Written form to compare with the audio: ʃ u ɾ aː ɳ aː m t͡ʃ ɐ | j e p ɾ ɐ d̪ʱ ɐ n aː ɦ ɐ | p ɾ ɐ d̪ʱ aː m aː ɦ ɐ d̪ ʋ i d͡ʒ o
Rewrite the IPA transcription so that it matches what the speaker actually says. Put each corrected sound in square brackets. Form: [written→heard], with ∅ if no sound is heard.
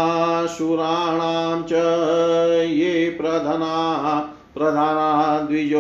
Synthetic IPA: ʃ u ɾ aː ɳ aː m t͡ʃ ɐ | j e p ɾ ɐ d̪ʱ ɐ n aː ɦ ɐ | p ɾ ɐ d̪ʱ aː [m→n] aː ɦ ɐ d̪ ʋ i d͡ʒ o